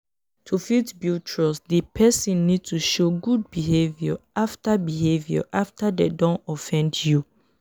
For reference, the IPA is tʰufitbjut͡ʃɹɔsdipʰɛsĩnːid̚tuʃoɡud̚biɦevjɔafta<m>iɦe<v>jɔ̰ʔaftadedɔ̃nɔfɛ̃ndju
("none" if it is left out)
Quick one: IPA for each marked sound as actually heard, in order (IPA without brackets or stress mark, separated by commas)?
b, v